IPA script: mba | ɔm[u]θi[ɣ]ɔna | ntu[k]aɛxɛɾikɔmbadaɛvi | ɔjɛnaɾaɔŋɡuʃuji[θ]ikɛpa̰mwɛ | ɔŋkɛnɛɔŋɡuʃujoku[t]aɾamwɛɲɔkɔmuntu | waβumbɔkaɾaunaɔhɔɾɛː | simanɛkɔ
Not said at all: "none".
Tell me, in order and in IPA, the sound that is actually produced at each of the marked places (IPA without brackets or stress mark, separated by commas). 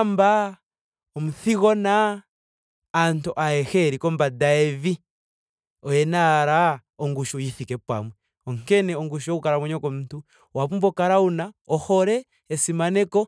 u, ɣ, ʔ, θ, k